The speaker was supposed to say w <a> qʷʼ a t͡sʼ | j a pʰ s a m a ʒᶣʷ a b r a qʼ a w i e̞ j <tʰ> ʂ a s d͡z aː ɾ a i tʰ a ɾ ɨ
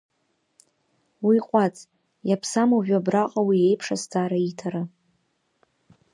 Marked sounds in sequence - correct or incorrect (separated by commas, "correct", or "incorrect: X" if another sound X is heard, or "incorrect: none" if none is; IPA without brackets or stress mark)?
incorrect: i, incorrect: pʰ